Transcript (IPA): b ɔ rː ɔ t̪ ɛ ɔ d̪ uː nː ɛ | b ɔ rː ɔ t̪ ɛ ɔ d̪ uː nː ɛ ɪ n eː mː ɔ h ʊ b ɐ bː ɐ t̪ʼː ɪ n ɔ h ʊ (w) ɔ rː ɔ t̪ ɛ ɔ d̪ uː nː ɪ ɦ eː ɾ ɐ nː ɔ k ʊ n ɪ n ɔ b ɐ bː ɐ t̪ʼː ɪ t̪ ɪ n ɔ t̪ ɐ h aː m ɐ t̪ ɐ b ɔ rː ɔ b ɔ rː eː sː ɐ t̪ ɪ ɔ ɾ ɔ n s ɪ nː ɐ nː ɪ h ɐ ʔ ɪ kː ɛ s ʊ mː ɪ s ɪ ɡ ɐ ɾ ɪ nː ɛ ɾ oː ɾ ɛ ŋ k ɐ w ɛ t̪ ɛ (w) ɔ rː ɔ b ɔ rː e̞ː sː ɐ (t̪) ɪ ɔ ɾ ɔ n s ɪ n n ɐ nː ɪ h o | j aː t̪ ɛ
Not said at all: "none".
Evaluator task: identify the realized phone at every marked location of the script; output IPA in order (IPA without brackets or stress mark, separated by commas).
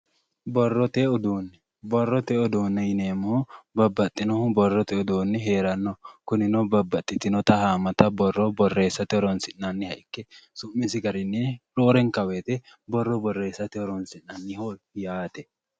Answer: b, b, t̪